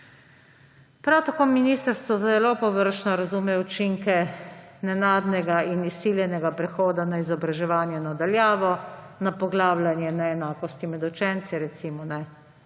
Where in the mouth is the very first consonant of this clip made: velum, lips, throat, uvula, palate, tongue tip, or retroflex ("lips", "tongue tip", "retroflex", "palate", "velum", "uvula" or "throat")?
lips